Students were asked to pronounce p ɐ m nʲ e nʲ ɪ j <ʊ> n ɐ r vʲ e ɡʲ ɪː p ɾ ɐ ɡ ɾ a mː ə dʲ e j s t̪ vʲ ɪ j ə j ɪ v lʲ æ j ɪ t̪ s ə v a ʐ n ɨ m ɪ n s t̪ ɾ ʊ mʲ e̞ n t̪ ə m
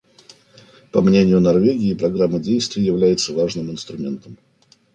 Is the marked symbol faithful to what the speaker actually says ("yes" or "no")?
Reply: yes